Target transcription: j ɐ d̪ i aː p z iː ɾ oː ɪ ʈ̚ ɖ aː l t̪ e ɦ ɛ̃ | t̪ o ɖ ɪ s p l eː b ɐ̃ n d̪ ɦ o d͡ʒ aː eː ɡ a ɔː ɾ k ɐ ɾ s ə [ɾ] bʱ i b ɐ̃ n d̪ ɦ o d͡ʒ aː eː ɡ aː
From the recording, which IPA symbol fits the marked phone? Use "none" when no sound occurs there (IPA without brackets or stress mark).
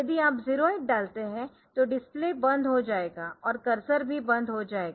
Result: ɾ